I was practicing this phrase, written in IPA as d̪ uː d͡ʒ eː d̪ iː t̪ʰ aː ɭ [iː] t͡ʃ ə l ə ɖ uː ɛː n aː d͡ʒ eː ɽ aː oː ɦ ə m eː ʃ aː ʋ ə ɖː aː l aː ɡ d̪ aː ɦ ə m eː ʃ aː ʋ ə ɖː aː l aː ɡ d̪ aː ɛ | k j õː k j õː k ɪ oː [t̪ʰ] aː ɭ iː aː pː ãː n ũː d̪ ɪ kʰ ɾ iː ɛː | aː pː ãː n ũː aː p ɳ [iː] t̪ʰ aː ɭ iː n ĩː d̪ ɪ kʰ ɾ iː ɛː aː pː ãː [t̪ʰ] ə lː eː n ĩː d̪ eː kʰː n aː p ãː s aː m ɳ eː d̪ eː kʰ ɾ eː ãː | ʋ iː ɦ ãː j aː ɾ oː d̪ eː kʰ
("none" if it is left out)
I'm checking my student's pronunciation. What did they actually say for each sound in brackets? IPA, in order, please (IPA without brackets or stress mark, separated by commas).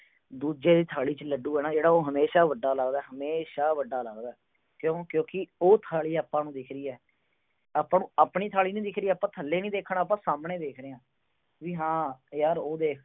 iː, t̪ʰ, iː, t̪ʰ